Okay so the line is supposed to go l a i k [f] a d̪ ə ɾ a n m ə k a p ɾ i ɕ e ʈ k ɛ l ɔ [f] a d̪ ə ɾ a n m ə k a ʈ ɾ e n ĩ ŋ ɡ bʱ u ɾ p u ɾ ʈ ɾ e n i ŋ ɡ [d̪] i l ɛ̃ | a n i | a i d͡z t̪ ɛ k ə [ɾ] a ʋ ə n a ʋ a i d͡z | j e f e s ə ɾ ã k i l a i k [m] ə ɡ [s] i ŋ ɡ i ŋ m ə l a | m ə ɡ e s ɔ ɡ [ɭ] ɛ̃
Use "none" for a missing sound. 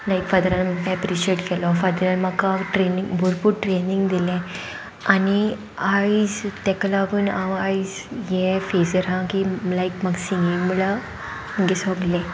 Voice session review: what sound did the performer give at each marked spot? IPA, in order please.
f, f, d̪, l, m, s, l

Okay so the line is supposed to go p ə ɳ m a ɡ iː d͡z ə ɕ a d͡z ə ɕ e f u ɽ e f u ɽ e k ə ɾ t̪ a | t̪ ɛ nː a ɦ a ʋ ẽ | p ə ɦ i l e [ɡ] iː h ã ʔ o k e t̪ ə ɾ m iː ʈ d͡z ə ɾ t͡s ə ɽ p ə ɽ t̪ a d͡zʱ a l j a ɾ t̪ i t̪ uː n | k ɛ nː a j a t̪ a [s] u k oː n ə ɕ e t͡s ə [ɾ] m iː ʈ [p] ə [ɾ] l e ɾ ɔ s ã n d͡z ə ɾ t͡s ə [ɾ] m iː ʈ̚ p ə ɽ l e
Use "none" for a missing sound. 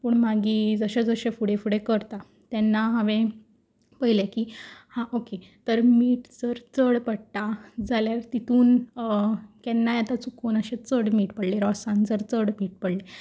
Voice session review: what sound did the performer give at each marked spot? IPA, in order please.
k, t͡s, ɽ, p, ɽ, ɽ

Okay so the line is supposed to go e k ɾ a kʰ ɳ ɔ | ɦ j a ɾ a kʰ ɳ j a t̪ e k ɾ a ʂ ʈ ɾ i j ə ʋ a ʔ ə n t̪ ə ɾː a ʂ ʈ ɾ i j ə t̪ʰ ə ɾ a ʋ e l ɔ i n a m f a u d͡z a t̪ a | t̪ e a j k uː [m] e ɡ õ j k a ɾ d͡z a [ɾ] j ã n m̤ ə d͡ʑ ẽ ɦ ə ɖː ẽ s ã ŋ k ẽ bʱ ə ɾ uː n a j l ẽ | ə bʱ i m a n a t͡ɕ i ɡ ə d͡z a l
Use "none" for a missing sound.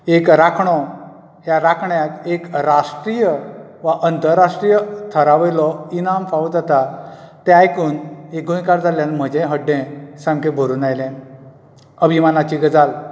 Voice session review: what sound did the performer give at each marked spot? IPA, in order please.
n, l

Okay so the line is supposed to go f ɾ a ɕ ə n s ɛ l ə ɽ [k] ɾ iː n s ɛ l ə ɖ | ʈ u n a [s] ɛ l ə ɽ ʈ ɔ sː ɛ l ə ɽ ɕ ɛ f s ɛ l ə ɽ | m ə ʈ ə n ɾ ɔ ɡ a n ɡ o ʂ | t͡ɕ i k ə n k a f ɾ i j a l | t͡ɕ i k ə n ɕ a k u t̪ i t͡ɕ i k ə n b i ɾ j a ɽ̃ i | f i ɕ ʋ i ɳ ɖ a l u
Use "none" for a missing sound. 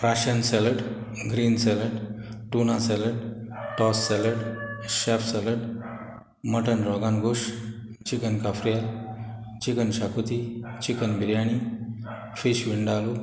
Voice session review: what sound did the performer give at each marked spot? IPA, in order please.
ɡ, s

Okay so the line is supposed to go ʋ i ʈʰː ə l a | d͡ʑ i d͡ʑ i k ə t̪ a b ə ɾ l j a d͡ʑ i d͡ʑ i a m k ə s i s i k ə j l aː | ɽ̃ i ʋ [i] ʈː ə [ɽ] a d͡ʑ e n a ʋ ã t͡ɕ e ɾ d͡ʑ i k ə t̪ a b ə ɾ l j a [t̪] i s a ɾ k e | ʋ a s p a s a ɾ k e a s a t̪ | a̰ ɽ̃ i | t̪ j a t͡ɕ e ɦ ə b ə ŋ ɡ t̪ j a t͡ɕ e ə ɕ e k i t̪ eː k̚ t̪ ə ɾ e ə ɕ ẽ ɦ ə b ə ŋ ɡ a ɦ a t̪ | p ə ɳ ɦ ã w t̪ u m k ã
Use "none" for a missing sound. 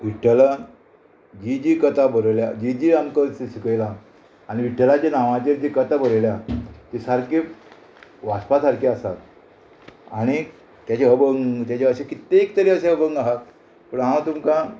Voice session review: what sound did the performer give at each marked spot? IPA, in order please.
i, l, t̪

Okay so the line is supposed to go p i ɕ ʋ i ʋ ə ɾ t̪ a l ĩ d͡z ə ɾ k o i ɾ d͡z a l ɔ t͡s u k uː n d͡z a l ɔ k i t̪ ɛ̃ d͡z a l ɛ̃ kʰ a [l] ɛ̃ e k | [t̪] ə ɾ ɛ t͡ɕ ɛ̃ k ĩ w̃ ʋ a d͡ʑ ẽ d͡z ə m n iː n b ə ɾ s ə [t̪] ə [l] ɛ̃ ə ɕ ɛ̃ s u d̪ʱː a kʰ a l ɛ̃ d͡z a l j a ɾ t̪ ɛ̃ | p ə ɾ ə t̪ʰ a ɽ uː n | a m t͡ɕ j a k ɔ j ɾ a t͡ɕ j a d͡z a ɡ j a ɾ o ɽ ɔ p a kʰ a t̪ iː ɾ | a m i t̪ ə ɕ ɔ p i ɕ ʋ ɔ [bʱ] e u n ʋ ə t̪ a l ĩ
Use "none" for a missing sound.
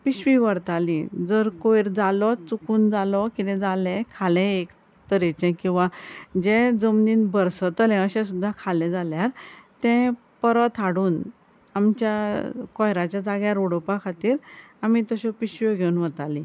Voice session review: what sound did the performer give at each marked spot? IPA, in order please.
l, t̪, t̪, l, ɡʱ

